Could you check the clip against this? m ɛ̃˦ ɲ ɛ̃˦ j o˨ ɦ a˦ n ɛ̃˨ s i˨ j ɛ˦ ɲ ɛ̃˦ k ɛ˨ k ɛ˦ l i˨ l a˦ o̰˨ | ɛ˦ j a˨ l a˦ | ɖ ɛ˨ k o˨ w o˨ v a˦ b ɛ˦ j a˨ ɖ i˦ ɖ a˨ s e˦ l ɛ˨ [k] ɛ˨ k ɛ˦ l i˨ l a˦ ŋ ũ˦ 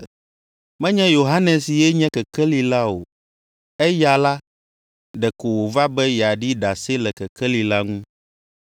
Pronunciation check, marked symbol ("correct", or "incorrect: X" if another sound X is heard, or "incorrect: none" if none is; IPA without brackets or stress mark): correct